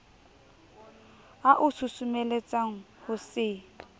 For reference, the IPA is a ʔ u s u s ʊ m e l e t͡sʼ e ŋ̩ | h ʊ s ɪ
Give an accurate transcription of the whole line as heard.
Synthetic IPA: a ʔ ʊ s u s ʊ m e l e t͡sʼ a ŋ̩ | h ʊ s ɪ